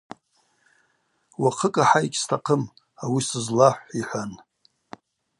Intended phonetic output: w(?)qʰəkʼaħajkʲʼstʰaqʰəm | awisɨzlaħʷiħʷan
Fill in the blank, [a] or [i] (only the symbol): a